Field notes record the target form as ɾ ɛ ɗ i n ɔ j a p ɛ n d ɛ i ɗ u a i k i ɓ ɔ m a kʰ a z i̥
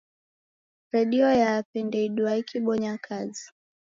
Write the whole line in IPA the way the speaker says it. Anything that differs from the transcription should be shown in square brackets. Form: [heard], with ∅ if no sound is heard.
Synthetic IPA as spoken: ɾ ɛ ɗ i [∅] ɔ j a p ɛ n d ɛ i ɗ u a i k i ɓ ɔ [ɲ] a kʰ a z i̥

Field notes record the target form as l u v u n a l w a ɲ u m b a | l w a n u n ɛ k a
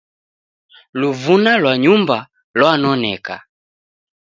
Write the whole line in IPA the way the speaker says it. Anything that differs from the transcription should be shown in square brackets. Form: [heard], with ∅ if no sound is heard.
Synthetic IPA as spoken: l u v u n a l w a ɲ u m b a | l w a n [ɔ] n ɛ k a

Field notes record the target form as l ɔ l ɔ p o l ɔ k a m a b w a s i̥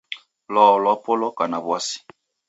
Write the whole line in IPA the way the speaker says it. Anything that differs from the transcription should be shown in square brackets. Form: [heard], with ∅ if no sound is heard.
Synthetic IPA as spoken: l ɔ l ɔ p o l ɔ k a [n] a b w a s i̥

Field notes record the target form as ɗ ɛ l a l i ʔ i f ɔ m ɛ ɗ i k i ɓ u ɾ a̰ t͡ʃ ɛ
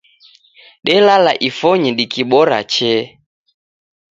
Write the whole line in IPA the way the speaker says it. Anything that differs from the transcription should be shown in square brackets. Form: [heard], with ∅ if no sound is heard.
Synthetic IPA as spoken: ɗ ɛ l a l [a] ʔ i f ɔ [ɲ] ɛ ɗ i k i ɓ [ɔ] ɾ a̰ t͡ʃ ɛ

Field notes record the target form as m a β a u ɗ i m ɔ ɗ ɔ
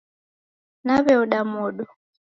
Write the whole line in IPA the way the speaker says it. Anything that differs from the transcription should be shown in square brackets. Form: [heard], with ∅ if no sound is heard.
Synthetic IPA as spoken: [n] a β [ɛ] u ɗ [a] m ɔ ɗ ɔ

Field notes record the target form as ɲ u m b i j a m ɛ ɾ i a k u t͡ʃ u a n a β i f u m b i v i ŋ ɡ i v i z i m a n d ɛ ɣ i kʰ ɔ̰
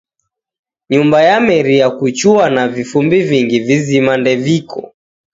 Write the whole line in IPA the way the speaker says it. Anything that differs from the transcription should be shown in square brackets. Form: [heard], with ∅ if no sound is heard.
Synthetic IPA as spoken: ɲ u m b [a] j a m ɛ ɾ i a k u t͡ʃ u a n a [v] i f u m b i v i ŋ ɡ i v i z i m a n d ɛ [v] i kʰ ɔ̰

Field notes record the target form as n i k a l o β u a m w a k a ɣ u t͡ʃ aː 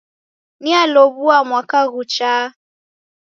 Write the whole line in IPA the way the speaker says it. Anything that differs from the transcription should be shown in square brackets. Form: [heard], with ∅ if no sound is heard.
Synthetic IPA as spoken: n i [∅] a l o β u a m w a k a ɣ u t͡ʃ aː

